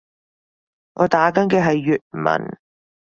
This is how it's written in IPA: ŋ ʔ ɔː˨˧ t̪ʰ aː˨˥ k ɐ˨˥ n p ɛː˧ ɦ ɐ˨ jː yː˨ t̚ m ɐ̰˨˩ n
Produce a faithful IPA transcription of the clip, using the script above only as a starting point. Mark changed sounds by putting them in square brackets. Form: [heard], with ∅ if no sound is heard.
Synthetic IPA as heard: ŋ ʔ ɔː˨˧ [t̪] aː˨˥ k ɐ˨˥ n [k] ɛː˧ ɦ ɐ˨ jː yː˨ t̚ m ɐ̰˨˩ n